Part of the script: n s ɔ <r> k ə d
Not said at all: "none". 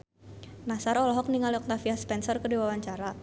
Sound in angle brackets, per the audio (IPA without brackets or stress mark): r